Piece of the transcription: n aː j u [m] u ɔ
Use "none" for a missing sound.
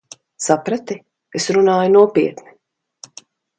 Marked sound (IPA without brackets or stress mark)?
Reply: n